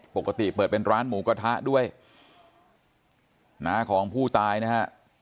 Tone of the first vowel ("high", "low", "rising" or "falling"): low